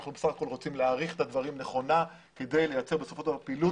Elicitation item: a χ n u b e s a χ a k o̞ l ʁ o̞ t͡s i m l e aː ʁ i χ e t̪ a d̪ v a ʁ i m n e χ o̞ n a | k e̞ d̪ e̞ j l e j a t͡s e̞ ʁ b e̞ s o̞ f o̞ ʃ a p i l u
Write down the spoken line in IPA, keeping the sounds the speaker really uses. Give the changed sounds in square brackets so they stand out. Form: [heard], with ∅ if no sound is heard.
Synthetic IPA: a χ n u b e s a χ a k o̞ l ʁ o̞ t͡s i m l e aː ʁ i χ e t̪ a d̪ v a ʁ i m n e χ o̞ n a | k e̞ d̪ e̞ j l e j a t͡s e̞ ʁ b e̞ s o̞ f o̞ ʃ a p i l u